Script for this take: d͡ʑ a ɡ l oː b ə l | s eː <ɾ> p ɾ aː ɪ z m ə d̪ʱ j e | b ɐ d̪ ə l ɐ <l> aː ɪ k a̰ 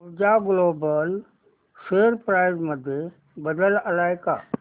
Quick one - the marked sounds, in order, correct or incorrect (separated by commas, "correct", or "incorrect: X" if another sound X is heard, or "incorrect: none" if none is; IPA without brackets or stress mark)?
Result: correct, correct